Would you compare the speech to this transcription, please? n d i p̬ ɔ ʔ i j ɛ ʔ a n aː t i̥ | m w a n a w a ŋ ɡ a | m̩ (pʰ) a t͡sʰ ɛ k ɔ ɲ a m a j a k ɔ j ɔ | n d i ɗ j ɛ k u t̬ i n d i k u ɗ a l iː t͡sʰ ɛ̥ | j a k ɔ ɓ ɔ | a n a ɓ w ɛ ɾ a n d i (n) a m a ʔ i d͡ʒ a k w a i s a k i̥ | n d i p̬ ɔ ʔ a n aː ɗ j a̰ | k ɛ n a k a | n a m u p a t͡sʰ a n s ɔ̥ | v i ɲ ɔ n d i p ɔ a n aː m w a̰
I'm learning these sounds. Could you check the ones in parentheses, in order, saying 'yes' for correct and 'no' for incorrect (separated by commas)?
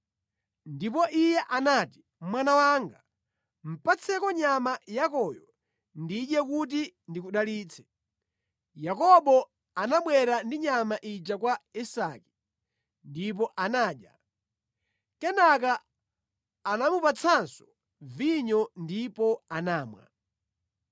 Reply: no, no